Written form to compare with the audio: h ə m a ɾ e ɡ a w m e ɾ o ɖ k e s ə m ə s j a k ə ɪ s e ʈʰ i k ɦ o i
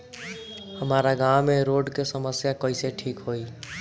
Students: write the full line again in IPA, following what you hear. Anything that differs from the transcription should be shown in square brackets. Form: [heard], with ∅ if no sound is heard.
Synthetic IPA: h ə m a ɾ [a] ɡ a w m e ɾ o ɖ k e s ə m ə s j a k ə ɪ s e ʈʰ i k ɦ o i